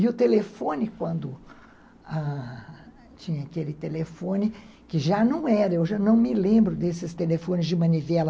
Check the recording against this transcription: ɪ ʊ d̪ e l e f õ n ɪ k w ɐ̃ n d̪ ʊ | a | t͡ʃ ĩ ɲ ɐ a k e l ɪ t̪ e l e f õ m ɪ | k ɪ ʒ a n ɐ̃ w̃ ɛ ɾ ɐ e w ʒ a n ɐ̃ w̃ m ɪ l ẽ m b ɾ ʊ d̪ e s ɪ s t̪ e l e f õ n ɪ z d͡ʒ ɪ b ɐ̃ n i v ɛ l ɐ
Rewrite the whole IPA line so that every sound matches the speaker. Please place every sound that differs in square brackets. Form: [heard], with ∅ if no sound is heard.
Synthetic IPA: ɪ ʊ [t̪] e l e f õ n ɪ k w ɐ̃ n d̪ ʊ | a | t͡ʃ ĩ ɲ ɐ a k e l ɪ t̪ e l e f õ [n] ɪ | k ɪ ʒ a n ɐ̃ w̃ ɛ ɾ ɐ e w ʒ a n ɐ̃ w̃ m ɪ l ẽ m b ɾ ʊ d̪ e s ɪ s t̪ e l e f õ n ɪ z d͡ʒ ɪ [m] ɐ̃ n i v ɛ l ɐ